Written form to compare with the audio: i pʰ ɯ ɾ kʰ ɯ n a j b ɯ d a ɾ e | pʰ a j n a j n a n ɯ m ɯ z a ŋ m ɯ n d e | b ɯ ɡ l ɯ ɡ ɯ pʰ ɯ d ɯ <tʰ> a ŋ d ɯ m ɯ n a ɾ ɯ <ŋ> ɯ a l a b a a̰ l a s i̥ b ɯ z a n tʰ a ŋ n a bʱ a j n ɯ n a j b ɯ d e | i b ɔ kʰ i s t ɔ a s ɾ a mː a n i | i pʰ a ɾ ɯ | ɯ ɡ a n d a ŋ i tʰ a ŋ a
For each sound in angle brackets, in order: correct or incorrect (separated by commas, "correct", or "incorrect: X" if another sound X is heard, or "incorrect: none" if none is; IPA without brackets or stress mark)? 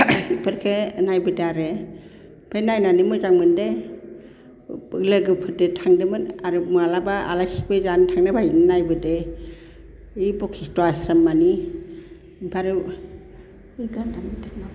correct, incorrect: m